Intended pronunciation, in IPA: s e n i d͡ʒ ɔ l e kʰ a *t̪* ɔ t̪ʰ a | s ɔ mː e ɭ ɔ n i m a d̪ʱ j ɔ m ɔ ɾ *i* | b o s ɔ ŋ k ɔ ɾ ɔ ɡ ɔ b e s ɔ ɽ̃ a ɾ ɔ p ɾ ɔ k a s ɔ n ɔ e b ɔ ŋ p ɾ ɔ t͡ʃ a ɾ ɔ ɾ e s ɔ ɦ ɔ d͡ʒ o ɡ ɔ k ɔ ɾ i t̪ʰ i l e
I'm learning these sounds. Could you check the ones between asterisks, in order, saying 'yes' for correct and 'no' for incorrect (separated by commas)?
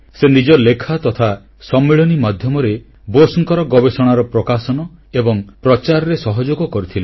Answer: yes, no